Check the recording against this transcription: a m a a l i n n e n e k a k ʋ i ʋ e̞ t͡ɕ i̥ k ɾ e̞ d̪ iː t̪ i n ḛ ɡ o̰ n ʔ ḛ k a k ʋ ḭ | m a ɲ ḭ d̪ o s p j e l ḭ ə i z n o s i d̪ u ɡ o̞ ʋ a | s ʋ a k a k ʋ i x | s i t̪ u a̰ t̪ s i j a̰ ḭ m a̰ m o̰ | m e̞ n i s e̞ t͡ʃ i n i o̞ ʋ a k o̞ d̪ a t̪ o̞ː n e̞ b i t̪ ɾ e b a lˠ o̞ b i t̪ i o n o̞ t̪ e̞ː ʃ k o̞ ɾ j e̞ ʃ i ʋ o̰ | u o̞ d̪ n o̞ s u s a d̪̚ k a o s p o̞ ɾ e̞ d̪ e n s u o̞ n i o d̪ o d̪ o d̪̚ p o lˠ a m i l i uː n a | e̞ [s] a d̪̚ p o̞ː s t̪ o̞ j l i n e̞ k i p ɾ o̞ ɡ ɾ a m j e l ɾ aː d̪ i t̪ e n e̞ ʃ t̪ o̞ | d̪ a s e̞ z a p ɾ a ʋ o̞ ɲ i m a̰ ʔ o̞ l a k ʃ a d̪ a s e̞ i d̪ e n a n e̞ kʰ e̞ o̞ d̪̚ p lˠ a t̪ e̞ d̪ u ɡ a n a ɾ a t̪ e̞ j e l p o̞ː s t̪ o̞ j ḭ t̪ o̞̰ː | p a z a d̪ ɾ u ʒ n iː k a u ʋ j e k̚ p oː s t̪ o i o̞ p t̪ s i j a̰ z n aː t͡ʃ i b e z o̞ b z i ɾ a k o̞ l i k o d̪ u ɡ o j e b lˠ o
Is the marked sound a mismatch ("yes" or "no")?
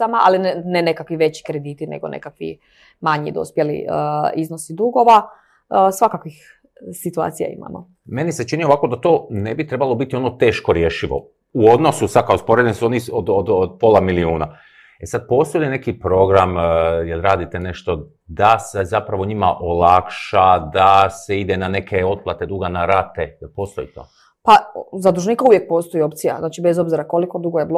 no